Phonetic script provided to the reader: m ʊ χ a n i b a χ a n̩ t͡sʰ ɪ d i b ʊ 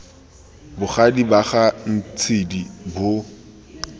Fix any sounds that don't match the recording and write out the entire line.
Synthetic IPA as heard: b ʊ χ a d i b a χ a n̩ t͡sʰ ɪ d i b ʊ